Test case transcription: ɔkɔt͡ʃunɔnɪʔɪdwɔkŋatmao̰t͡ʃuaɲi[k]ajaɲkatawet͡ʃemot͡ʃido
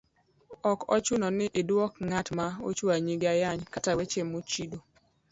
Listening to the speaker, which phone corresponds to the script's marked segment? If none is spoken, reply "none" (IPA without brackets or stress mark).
ɡ